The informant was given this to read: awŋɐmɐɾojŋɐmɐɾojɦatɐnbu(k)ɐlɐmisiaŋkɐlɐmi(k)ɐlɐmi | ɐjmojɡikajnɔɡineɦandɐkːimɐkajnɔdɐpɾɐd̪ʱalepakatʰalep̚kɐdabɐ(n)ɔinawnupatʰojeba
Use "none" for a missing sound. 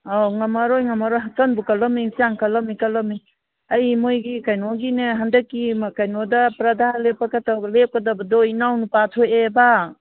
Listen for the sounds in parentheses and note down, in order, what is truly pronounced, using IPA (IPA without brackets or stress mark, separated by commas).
k, k, d